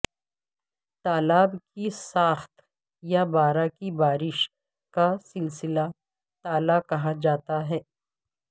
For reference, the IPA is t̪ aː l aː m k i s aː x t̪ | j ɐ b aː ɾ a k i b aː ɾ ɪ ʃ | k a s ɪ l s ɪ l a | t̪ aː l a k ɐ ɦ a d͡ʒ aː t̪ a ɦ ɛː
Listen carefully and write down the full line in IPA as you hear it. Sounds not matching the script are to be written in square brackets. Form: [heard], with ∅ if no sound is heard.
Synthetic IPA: t̪ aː l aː [b] k i s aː x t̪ | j [a] b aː ɾ a k i b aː ɾ ɪ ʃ | k a s ɪ l s ɪ l a | t̪ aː l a k ɐ ɦ a d͡ʒ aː t̪ a ɦ ɛː